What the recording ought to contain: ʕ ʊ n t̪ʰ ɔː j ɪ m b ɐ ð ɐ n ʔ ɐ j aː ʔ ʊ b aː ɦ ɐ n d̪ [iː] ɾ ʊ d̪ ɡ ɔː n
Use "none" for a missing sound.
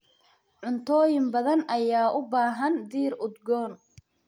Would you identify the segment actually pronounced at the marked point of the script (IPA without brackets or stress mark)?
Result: iː